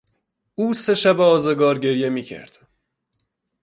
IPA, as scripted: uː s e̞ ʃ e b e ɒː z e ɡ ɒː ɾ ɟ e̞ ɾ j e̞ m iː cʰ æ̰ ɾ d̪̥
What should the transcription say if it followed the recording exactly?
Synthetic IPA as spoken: uː s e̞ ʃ æ b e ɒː z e ɡ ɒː ɾ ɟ e̞ ɾ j e̞ m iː cʰ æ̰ ɾ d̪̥